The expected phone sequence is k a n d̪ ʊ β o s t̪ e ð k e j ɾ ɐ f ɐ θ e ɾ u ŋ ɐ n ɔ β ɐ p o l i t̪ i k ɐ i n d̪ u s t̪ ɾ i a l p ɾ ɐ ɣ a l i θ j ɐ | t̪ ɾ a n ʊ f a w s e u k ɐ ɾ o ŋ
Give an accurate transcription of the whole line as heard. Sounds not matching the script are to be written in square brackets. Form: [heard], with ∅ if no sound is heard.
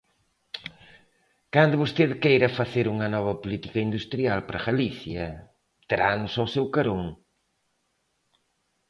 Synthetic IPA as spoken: k a n d̪ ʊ β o s t̪ e ð k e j ɾ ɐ f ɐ θ e ɾ u ŋ ɐ n ɔ β ɐ p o l i t̪ i k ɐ i n d̪ u s t̪ ɾ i a l p ɾ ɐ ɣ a l i θ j ɐ | t̪ ɾ a n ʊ [s] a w s e [w] k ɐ ɾ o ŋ